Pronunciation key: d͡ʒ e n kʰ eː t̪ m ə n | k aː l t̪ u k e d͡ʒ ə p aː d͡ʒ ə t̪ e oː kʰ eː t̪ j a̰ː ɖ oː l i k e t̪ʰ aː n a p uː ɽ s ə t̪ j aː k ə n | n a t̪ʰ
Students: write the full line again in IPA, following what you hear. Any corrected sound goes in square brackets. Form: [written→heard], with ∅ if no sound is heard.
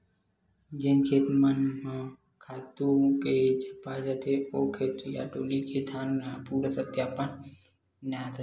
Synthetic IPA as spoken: d͡ʒ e n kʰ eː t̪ m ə n | [k→kʰ] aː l t̪ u k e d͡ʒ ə p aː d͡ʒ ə t̪ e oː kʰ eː t̪ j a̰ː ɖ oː l i k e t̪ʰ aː n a p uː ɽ s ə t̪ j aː [k→p] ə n | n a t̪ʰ